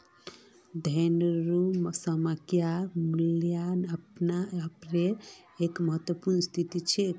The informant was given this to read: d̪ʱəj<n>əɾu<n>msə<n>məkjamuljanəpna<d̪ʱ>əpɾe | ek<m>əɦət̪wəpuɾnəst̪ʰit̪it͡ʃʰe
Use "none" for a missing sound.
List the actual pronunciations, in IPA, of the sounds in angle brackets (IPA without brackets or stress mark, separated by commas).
n, none, none, none, m